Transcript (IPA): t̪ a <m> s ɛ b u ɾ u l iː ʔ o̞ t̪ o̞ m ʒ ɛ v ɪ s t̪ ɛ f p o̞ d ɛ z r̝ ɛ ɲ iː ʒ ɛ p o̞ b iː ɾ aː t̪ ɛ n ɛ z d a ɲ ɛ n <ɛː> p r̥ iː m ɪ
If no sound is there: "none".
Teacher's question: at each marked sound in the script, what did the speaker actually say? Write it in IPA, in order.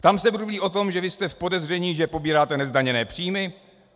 m, ɛː

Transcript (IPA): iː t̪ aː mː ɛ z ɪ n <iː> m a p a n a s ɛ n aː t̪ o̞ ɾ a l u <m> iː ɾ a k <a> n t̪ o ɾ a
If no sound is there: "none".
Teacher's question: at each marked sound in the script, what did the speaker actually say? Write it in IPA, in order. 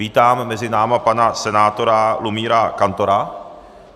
aː, m, a

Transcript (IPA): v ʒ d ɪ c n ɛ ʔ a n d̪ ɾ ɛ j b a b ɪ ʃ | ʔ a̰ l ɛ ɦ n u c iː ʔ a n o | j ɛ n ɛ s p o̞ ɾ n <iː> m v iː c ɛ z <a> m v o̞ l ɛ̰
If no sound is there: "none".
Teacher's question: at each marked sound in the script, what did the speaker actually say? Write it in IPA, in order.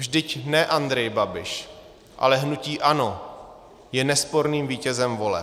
iː, ɛ

